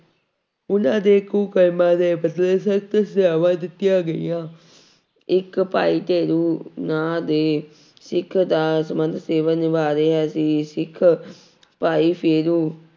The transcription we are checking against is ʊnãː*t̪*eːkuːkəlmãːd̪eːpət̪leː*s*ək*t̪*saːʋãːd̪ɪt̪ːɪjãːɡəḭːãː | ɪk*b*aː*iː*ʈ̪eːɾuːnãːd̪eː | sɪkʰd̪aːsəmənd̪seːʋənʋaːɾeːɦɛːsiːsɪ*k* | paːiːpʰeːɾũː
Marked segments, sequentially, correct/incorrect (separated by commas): incorrect, correct, correct, incorrect, correct, incorrect